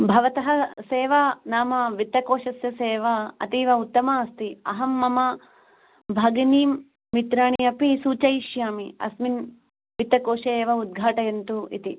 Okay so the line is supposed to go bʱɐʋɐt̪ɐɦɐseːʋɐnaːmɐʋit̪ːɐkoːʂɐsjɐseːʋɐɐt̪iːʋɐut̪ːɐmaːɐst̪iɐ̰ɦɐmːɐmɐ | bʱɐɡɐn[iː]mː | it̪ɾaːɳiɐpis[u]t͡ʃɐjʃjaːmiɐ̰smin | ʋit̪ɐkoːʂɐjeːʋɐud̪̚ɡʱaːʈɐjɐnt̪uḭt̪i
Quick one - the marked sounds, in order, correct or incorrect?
correct, incorrect: uː

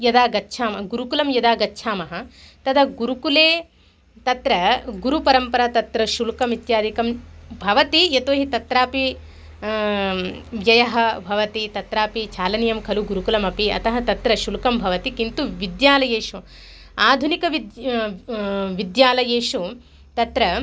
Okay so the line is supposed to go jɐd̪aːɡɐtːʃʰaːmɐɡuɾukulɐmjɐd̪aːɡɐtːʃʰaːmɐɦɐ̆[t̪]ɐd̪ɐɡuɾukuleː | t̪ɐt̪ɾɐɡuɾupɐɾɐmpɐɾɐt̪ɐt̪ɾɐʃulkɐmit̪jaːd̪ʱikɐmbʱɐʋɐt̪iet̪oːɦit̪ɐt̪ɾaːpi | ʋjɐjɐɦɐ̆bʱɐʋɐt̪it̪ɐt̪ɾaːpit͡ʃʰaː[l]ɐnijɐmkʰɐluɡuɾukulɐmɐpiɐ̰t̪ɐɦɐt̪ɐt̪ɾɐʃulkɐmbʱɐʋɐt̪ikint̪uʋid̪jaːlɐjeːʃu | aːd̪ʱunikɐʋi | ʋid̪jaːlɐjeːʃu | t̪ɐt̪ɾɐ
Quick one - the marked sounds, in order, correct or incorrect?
correct, correct

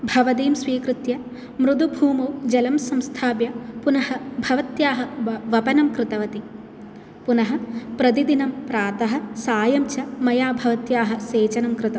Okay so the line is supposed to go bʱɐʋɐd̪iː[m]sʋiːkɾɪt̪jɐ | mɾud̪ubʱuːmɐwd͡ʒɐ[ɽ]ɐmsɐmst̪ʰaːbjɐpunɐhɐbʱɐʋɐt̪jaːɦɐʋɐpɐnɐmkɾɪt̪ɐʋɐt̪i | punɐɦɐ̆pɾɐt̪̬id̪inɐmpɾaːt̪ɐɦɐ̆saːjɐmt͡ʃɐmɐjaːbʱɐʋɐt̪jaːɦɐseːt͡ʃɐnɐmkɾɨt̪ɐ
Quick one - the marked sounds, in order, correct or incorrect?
correct, incorrect: l

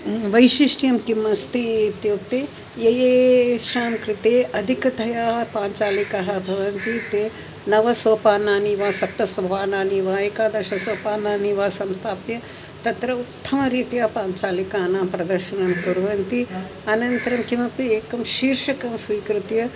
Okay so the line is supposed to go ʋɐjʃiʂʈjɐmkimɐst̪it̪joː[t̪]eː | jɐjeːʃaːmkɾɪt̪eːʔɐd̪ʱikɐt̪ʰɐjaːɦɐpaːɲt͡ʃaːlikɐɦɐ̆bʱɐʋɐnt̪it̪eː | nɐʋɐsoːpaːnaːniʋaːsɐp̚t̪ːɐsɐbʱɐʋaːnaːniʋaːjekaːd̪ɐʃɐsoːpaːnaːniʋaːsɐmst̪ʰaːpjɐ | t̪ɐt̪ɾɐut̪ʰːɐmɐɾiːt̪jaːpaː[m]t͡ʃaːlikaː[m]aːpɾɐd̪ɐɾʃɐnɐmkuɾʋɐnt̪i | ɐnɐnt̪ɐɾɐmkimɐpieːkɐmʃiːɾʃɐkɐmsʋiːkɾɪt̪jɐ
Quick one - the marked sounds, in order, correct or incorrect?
correct, incorrect: ɲ, incorrect: n

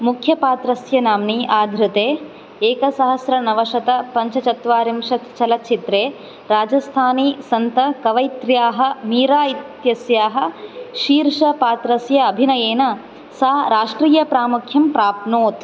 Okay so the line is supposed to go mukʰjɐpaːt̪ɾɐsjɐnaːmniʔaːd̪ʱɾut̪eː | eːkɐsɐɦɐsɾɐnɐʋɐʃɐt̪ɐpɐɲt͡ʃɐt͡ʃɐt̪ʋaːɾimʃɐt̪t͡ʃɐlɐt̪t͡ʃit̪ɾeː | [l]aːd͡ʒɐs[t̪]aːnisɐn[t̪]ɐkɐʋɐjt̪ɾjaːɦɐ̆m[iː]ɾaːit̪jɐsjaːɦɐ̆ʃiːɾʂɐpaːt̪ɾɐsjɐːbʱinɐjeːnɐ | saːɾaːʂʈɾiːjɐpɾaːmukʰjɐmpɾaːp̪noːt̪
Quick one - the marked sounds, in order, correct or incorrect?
incorrect: ɾ, incorrect: t̪ʰ, correct, correct

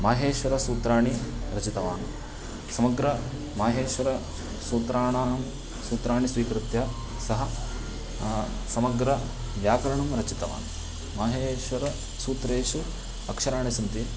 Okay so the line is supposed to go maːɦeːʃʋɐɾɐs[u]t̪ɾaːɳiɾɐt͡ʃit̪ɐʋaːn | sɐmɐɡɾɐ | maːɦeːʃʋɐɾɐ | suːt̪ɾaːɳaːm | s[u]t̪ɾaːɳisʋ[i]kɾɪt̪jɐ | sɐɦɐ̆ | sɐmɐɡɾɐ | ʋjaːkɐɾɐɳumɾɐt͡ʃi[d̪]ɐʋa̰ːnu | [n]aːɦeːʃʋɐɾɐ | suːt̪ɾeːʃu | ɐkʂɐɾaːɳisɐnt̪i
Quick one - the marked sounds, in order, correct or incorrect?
incorrect: uː, incorrect: uː, incorrect: iː, incorrect: t̪, incorrect: m

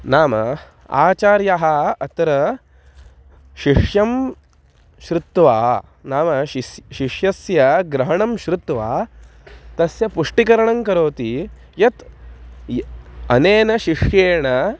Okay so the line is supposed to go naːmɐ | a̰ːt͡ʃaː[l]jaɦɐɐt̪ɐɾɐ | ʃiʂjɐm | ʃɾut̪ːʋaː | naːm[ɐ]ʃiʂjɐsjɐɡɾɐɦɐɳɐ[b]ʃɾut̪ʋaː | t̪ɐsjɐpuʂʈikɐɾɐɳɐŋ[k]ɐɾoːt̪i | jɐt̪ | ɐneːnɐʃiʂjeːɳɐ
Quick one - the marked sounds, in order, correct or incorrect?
incorrect: ɾ, correct, incorrect: m, correct

